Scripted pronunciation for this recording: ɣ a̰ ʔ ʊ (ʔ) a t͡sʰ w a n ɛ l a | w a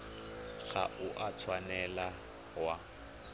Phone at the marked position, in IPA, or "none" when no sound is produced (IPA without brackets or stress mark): ʔ